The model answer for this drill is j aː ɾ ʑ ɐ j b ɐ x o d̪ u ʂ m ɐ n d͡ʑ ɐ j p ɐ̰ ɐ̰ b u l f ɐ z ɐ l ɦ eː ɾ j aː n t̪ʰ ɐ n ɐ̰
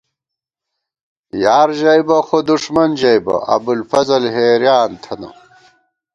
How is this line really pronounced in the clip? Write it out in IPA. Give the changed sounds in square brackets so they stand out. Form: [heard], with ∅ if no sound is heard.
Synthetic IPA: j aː ɾ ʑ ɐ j b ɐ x o d̪ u ʂ m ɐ n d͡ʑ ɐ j [b] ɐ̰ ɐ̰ b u l f ɐ z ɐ l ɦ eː ɾ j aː n t̪ʰ ɐ n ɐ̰